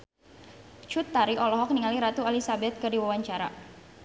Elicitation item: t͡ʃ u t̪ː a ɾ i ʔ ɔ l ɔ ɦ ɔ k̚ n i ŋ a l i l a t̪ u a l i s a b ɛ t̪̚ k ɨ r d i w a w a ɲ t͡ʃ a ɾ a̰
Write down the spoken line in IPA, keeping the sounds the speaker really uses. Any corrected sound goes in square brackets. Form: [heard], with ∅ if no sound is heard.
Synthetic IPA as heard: t͡ʃ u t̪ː a ɾ i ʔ ɔ l ɔ ɦ ɔ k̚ n i ŋ a l i [ɾ] a t̪ u a l i s a b ɛ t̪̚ k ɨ r d i w a w a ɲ t͡ʃ a ɾ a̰